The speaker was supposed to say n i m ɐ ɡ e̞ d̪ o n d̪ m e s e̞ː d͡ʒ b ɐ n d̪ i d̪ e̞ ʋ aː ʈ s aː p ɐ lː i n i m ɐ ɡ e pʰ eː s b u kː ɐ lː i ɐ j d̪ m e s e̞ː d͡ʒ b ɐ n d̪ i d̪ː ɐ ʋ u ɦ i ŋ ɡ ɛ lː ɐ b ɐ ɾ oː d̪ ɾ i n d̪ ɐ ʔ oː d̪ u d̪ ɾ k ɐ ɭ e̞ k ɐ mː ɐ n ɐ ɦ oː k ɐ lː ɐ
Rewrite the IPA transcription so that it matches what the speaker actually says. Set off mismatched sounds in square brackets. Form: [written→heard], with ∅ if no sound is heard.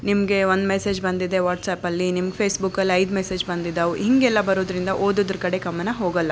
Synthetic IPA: n i m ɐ ɡ e̞ [d̪→∅] o n d̪ m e s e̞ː d͡ʒ b ɐ n d̪ i d̪ e̞ ʋ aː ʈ s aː p ɐ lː i n i m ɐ ɡ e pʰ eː s b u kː ɐ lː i ɐ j d̪ m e s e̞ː d͡ʒ b ɐ n d̪ i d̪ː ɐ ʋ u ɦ i ŋ ɡ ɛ lː ɐ b ɐ ɾ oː d̪ ɾ i n d̪ ɐ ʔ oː d̪ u d̪ ɾ k ɐ [ɭ→ɽ] e̞ k ɐ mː ɐ n ɐ ɦ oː [k→ɡ] ɐ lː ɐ